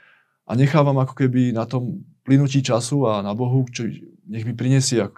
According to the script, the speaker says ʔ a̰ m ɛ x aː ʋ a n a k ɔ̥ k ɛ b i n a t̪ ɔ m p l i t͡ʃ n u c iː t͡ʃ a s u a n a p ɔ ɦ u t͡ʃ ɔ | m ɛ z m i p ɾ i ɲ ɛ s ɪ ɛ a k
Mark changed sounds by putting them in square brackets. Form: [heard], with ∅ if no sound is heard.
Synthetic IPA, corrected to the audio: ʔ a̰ [ɲ] ɛ x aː ʋ a [m] a k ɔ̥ k ɛ b i n a t̪ ɔ m p l i [∅] n u c iː t͡ʃ a s u a n a [b] ɔ ɦ u t͡ʃ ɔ | [ɲ] ɛ [ɣ] m i p ɾ i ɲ ɛ s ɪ ɛ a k